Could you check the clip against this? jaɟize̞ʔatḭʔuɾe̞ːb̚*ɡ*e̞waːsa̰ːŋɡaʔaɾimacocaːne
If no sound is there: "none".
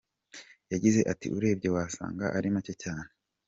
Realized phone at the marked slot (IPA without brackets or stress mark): ɟ